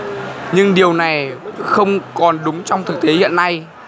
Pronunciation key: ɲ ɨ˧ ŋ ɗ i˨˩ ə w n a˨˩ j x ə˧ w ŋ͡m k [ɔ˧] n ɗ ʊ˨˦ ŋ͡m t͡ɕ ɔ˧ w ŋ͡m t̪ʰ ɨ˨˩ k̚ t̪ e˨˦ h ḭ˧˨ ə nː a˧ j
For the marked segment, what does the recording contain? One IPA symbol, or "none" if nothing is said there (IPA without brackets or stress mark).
ɔ˨˩